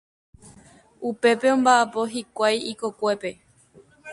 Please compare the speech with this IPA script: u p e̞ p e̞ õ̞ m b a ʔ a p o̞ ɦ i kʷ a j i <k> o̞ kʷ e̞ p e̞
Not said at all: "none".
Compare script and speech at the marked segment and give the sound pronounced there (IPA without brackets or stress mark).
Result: k